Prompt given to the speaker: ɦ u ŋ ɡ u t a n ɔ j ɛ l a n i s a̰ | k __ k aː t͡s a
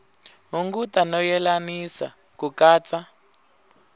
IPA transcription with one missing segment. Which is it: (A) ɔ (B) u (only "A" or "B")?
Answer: B